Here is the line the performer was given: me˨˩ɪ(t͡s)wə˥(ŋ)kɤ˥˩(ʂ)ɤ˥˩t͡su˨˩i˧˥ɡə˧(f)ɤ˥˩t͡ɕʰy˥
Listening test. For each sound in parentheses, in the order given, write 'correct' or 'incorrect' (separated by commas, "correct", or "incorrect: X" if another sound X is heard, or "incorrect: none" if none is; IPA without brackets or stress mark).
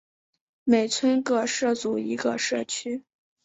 incorrect: t͡sʰ, incorrect: n, correct, incorrect: ʂ